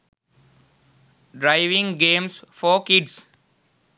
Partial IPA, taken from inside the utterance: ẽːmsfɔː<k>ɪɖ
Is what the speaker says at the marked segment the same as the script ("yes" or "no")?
yes